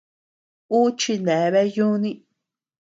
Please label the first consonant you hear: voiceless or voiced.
voiceless